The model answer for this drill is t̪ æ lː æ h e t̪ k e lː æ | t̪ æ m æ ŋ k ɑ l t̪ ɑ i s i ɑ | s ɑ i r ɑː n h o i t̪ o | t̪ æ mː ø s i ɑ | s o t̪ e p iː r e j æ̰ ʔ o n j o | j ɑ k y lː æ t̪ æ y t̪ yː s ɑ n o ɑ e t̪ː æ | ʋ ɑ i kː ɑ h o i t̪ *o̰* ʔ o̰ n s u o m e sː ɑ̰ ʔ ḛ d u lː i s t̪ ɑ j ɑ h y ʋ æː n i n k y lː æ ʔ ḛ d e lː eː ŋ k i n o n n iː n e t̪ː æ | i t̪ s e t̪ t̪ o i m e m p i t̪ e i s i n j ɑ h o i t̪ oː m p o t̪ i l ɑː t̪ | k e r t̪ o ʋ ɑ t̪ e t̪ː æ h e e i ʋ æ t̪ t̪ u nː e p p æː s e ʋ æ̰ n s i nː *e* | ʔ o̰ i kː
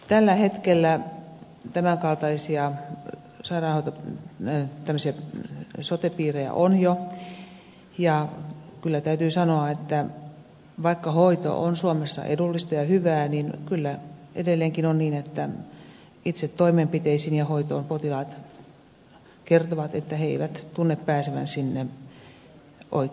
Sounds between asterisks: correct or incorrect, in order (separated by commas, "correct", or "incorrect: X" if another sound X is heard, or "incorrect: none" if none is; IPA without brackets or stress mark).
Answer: correct, correct